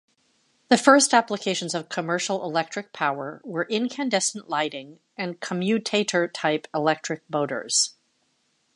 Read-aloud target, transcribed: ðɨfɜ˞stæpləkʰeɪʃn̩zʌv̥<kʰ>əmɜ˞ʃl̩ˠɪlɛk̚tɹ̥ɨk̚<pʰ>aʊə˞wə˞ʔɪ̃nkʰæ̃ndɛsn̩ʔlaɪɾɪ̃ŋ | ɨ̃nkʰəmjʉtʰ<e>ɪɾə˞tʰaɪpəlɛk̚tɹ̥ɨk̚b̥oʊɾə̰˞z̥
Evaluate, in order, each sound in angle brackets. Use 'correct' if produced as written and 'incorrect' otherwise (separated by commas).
correct, correct, correct